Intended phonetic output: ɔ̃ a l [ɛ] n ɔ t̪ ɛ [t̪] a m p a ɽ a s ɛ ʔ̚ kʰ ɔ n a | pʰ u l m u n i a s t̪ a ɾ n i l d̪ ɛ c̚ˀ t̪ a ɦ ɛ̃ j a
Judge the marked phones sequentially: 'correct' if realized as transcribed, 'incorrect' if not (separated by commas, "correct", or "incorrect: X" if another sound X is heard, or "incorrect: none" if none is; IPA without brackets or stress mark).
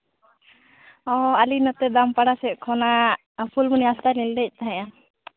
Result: incorrect: i, incorrect: d̪